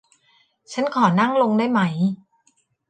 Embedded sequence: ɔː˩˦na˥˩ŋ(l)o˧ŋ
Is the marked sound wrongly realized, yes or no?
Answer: no